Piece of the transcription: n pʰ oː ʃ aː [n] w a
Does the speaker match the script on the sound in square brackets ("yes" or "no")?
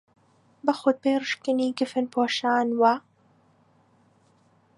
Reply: yes